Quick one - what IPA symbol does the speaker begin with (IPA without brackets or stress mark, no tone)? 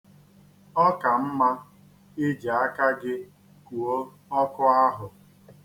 ɔ